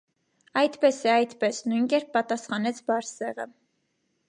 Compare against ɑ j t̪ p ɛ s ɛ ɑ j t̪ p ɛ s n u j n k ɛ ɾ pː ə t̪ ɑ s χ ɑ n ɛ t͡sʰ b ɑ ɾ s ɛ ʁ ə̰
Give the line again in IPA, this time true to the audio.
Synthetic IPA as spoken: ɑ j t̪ p ɛ s ɛ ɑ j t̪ p ɛ s n u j n k ɛ ɾ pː ɑ t̪ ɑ s χ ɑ n ɛ t͡sʰ b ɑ ɾ s ɛ ʁ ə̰